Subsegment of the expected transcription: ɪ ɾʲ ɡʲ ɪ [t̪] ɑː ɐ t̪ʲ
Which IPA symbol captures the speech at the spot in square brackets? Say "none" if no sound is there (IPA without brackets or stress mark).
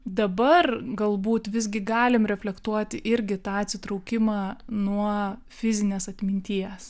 t̪